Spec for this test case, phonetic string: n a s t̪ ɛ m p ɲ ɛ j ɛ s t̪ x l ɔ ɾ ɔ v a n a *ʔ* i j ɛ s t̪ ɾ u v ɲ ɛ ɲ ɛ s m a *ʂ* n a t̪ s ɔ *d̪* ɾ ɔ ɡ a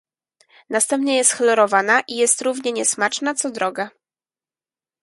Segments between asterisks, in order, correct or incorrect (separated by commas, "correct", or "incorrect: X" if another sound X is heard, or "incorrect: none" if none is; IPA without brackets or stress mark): correct, incorrect: t͡ʂ, correct